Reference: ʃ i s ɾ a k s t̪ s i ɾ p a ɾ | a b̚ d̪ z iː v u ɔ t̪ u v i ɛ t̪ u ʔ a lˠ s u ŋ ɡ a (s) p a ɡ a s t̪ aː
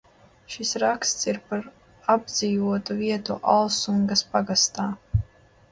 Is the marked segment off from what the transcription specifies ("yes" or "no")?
no